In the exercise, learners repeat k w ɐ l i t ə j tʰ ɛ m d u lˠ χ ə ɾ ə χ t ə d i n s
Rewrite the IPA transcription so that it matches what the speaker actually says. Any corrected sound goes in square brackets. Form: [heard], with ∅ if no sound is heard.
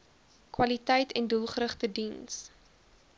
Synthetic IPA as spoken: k w ɐ l i t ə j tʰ ɛ [n] d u lˠ χ ə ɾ ə χ t ə d i n s